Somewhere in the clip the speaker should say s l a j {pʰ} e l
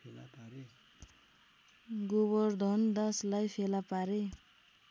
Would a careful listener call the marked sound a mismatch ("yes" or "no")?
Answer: no